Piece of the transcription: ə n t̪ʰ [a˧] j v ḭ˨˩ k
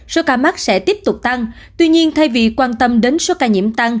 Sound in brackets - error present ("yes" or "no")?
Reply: no